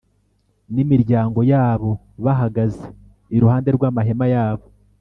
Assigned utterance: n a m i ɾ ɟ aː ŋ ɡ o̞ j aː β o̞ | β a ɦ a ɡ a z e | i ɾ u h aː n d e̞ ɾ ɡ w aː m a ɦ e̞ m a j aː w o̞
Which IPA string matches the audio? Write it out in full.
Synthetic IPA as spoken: n i m i ɾ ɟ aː ŋ ɡ o̞ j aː β o̞ | β a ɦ a ɡ a z e | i ɾ u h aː n d e̞ ɾ ɡ w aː m a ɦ e̞ m a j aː β o̞

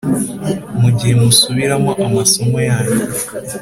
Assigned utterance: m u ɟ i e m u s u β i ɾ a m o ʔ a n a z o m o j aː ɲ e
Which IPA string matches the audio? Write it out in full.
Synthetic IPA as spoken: m u ɟ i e m u s u β i ɾ a m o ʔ a m a s o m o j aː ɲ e

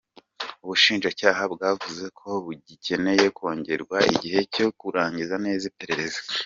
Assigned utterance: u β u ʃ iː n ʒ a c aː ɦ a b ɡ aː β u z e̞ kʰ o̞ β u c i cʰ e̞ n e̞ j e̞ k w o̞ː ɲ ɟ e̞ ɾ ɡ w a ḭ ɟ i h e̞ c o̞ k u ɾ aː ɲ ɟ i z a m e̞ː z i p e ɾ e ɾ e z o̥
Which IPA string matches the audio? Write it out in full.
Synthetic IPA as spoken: u β u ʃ iː n ʒ a c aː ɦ a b ɡ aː v u z e̞ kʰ o̞ β u ɟ i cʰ e̞ n e̞ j e̞ k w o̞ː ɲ ɟ e̞ ɾ ɡ w a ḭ ɟ i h e̞ c o̞ k u ɾ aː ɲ ɟ i z a n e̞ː z i p e ɾ e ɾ e z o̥

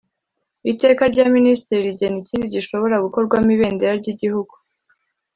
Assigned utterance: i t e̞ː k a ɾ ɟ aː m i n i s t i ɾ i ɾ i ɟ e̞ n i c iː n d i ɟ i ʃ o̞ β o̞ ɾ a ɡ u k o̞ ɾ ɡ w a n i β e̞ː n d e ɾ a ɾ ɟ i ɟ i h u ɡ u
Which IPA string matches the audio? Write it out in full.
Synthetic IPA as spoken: i t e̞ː k a ɾ ɟ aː m i n i s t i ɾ i ɾ i ɟ e̞ n i c iː n d i ɟ i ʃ o̞ β o̞ ɾ a ɡ u k o̞ ɾ ɡ w a m i β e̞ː n d e ɾ a ɾ ɟ i ɟ i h u ɡ u

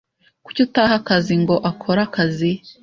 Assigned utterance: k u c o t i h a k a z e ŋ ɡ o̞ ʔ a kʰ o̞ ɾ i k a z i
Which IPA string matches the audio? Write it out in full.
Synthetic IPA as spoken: k u c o t a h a k a z i ŋ ɡ o̞ ʔ a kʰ o̞ ɾ a k a z i

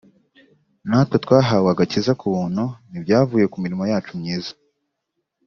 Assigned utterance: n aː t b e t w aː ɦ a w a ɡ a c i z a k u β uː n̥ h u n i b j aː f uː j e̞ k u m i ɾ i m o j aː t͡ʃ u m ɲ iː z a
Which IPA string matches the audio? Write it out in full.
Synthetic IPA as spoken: n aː t w e t w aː ɦ a w a ɡ a c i z a k u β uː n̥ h u n i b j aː v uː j e̞ k u m i ɾ i m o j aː t͡ʃ u m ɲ iː z a

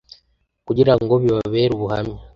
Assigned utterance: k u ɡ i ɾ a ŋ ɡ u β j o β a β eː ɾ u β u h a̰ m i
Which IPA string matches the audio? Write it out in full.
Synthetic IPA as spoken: k u ɟ i ɾ a ŋ ɡ o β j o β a β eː ɾ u β u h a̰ m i

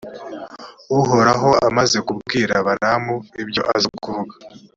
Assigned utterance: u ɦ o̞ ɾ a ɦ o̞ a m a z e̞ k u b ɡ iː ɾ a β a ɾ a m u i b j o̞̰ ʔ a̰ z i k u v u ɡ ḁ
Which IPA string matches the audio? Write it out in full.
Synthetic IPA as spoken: u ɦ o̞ ɾ a ɦ o̞ a m a z e̞ k u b ɡ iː ɾ a β a ɾ a m u i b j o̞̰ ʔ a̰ z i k u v u ɡ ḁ

